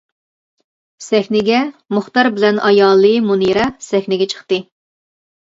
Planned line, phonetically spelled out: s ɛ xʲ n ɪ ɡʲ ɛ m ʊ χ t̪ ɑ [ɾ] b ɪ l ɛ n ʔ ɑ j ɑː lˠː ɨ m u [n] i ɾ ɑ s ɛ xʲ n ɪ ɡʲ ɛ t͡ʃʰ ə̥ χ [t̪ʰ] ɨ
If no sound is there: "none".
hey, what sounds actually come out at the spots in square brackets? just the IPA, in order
ɾ, n, t̪

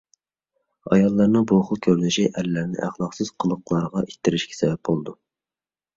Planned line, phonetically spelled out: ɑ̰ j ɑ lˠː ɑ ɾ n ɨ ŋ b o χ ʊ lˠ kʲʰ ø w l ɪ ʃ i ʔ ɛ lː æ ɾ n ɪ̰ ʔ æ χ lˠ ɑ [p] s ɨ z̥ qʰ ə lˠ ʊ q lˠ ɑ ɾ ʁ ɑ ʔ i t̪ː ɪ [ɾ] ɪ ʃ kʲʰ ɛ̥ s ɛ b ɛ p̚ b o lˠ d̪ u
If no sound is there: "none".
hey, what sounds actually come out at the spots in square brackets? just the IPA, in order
q, ɾ

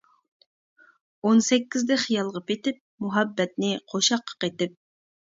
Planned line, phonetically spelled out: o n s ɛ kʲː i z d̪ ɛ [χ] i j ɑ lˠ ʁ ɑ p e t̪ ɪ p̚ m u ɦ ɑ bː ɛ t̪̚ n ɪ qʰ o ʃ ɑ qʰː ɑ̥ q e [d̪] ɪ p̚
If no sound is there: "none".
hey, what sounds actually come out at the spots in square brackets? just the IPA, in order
χ, t̪

